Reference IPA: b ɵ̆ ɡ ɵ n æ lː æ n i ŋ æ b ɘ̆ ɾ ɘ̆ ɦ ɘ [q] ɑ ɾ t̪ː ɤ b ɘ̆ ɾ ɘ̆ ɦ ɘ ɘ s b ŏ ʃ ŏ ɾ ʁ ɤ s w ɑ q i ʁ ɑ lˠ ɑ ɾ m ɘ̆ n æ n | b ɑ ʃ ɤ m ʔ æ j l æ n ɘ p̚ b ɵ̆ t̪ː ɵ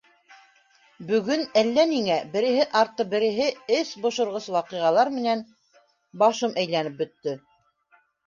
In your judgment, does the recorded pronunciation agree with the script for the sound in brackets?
no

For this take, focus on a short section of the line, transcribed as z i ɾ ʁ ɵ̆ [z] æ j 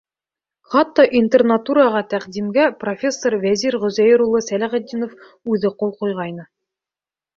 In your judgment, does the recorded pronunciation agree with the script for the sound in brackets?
yes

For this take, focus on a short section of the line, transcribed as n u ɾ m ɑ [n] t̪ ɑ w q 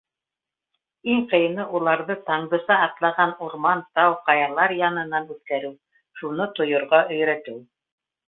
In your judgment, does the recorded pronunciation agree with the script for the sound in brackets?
yes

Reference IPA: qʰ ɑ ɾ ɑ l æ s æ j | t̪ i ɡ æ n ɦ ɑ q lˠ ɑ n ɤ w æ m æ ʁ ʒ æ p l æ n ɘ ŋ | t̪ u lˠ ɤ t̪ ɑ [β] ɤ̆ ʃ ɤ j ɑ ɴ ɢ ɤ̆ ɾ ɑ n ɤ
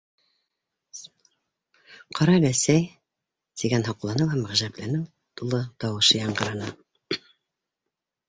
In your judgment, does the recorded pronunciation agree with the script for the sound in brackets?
no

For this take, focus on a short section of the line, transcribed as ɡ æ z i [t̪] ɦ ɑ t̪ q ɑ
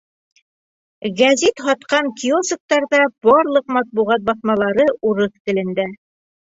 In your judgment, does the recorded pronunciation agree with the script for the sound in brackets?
yes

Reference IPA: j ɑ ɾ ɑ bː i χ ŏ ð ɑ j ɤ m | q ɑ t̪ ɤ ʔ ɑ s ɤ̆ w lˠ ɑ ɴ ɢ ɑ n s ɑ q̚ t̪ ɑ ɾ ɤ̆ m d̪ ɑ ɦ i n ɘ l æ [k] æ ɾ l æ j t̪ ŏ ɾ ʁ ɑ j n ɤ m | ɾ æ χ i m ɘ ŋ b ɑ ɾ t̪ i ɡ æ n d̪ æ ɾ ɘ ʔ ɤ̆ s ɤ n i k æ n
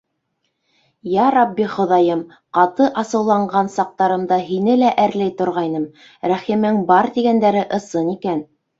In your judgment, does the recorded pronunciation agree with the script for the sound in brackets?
no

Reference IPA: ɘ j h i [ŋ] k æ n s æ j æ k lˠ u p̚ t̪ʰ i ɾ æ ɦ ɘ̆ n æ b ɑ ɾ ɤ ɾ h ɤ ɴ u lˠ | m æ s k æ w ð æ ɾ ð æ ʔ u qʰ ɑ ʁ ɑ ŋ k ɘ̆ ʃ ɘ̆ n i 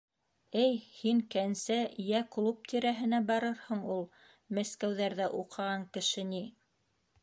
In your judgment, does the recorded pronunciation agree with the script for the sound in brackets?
yes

